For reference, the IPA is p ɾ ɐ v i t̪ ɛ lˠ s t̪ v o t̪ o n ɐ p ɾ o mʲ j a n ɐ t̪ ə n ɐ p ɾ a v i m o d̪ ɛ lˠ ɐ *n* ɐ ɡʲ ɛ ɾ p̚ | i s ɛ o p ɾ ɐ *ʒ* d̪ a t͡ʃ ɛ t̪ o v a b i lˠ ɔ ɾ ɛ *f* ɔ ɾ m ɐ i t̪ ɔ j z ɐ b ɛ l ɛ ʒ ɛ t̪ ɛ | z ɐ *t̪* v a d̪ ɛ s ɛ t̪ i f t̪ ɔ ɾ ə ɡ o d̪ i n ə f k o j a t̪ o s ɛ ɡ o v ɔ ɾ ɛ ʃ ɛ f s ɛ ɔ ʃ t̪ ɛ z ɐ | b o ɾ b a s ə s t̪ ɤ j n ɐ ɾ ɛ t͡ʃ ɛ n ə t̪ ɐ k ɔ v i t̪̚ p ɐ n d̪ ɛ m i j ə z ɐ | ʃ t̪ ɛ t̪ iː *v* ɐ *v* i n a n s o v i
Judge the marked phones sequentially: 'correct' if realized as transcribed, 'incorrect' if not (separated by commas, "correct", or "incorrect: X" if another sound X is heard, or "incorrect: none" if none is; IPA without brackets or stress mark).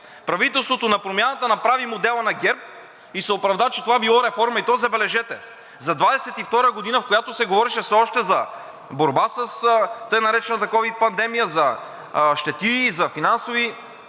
correct, incorrect: v, correct, incorrect: d̪, incorrect: z, incorrect: f